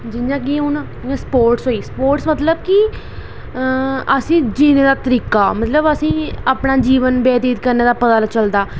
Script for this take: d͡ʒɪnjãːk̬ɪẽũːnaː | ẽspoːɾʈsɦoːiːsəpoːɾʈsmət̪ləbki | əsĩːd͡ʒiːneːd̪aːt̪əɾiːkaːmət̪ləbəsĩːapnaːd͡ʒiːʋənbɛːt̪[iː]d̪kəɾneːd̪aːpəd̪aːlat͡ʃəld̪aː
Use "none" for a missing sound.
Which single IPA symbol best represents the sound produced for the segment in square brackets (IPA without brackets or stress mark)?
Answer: iː